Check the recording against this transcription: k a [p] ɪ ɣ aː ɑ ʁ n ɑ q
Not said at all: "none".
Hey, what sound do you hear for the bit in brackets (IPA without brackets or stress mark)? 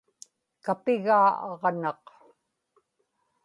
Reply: p